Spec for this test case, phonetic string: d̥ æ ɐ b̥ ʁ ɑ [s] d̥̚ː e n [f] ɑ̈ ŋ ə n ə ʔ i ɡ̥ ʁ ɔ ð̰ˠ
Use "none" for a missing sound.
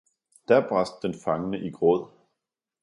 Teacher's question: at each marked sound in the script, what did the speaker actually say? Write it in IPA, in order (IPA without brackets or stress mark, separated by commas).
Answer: s, f